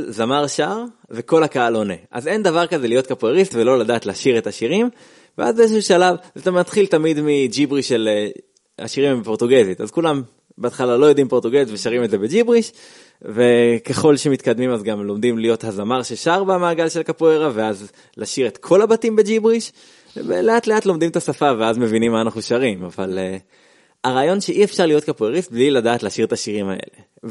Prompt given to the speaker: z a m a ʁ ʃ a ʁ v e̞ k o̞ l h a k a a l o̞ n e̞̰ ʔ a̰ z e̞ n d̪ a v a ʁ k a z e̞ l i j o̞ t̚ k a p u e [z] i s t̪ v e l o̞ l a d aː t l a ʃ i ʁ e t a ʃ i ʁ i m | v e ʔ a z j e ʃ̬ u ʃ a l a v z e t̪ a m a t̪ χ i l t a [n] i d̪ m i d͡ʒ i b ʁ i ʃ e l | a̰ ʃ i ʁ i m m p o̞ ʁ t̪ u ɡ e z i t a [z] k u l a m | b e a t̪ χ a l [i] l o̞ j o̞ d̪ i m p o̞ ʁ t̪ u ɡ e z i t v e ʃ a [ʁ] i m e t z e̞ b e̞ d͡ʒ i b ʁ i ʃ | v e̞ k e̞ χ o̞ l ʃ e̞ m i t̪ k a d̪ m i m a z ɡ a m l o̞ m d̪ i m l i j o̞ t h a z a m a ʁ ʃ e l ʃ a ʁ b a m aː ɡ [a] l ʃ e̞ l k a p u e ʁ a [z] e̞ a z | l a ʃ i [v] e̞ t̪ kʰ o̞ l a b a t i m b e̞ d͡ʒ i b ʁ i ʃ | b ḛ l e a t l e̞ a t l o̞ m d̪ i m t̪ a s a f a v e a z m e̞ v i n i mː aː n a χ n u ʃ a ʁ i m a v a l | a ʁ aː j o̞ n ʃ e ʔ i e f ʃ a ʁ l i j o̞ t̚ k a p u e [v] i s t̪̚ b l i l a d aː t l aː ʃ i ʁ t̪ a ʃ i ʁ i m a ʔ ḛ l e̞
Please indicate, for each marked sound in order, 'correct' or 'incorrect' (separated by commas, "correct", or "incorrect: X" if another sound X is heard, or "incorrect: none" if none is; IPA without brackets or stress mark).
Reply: incorrect: ʁ, incorrect: m, correct, incorrect: a, correct, correct, incorrect: v, incorrect: ʁ, incorrect: ʁ